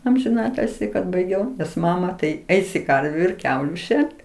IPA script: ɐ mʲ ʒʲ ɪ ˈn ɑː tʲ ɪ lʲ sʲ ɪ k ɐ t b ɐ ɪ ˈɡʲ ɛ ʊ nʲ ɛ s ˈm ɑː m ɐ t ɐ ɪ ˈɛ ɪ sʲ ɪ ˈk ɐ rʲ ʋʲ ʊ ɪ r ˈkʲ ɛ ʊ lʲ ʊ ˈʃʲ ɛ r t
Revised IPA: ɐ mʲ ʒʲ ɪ ˈn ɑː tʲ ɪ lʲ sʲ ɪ k ɐ t b ɐ ɪ ˈɡʲ ɛ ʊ nʲ ɛ s ˈm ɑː m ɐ t ɐ ɪ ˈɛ ɪ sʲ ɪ ˈk ɐ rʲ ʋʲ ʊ ɪ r ˈkʲ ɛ ʊ lʲ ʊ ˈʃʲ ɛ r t